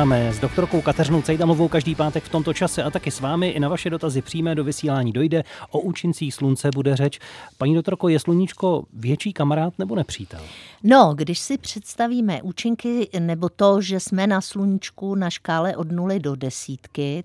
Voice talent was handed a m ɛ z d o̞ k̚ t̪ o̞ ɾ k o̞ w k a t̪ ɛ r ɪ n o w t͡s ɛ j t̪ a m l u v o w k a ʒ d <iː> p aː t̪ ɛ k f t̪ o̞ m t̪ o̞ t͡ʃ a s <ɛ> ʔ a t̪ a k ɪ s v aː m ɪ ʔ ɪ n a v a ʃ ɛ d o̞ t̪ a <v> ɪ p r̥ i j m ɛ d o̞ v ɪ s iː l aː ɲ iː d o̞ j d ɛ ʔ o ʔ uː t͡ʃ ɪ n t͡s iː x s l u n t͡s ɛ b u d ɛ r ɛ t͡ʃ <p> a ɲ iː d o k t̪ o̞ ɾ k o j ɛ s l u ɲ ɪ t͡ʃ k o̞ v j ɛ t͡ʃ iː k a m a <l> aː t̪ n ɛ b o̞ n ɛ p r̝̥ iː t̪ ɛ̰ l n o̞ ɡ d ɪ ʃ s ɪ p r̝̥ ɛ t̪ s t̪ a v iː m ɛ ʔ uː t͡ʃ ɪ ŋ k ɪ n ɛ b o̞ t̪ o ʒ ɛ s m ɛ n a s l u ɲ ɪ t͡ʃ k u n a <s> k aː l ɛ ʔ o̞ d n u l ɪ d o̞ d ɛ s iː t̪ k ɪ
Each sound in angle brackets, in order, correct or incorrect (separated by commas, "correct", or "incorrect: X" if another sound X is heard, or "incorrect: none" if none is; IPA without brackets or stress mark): correct, correct, incorrect: z, correct, incorrect: ɾ, incorrect: ʃ